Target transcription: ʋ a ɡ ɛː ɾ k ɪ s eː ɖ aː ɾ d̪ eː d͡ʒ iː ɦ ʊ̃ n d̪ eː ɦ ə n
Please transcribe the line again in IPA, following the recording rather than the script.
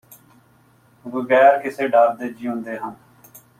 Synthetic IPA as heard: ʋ ə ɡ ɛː ɾ k ɪ s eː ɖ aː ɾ d̪ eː d͡ʒ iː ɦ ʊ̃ n d̪ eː ɦ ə n